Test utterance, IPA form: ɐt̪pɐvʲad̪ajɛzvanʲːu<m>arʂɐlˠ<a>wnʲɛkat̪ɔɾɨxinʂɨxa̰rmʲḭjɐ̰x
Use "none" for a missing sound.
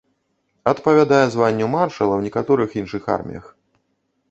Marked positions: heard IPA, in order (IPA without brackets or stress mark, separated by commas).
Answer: m, ɐ